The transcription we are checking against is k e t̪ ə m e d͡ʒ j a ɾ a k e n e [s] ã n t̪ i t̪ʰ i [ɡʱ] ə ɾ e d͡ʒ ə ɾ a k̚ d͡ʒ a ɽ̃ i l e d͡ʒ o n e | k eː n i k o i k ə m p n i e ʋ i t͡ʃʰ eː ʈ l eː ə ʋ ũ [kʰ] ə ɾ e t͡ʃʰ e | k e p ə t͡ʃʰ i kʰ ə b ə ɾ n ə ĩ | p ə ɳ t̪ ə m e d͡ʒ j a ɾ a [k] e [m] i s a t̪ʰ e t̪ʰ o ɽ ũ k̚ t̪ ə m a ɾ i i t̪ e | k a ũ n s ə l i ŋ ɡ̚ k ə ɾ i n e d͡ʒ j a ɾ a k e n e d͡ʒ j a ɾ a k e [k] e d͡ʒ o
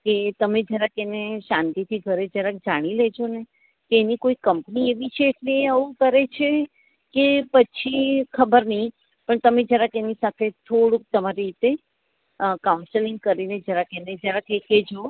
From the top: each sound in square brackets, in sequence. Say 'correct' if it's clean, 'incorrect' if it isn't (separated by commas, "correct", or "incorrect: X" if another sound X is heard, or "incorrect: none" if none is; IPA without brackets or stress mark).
incorrect: ʃ, correct, incorrect: k, correct, incorrect: n, correct